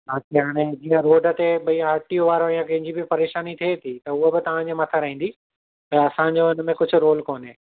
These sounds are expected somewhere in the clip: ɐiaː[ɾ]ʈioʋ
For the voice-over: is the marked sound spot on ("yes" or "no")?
yes